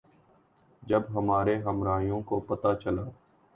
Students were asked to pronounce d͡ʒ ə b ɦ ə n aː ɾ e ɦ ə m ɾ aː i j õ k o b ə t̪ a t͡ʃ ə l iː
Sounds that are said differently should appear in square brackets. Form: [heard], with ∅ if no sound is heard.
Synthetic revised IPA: d͡ʒ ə b ɦ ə [m] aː ɾ e ɦ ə m ɾ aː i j õ k o [p] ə t̪ a t͡ʃ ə l [aː]